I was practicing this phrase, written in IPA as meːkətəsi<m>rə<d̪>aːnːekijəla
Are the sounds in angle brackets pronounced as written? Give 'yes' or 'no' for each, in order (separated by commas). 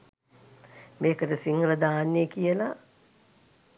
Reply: no, yes